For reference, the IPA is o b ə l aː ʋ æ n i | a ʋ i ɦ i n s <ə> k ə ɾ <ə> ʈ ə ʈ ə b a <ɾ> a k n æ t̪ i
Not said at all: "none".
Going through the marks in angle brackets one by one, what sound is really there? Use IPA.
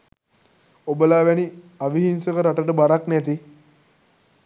ə, a, ɾ

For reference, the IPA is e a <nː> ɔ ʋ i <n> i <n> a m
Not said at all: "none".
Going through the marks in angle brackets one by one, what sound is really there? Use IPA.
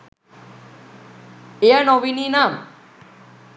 n, n, n

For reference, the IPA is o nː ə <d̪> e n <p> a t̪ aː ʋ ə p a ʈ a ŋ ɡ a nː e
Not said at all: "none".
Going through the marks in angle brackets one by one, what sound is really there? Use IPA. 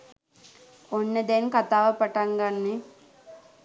d̪, k

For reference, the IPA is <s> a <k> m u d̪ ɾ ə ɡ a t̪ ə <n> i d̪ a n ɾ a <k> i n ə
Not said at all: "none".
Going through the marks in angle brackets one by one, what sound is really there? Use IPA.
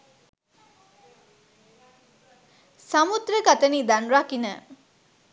s, none, n, k

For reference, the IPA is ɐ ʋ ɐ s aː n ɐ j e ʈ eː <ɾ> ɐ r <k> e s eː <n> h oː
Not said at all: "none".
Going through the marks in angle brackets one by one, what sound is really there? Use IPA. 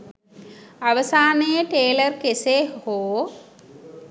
l, k, none

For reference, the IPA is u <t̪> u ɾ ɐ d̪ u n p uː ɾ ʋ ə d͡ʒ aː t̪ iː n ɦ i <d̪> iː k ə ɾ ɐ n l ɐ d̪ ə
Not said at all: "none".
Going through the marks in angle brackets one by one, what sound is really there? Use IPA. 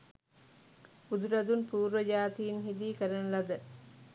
d̪, d̪

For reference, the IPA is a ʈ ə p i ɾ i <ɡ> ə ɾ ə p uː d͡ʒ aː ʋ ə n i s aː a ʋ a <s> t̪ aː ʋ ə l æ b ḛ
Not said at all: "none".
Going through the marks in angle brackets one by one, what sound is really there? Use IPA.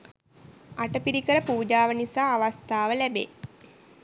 k, s

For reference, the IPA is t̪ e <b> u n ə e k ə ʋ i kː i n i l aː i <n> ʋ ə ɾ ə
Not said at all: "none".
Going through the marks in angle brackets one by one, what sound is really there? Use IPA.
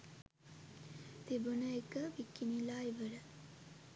b, none

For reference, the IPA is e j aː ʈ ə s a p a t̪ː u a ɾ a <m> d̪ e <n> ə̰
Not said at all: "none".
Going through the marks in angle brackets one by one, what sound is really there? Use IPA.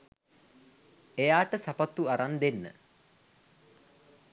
n, nː

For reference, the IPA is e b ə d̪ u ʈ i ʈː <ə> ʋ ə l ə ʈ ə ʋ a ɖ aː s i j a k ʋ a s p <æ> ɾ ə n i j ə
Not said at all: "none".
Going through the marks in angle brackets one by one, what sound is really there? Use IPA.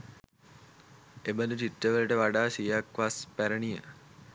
ə, æ

